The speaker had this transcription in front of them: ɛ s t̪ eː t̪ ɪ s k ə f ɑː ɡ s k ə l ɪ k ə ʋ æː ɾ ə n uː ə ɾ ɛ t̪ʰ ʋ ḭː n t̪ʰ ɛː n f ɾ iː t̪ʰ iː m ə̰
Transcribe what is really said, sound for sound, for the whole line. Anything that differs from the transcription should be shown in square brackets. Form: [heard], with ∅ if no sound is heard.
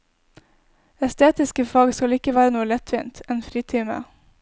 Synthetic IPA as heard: ɛ s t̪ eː t̪ ɪ s k ə f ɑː ɡ s k [ɑ] l ɪ k ə ʋ æː ɾ ə n uː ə [l] ɛ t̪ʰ ʋ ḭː n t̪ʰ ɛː n f ɾ iː t̪ʰ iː m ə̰